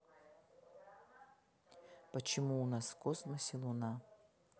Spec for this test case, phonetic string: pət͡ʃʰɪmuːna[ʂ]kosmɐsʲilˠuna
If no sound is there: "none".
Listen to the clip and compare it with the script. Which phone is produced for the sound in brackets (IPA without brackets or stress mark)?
s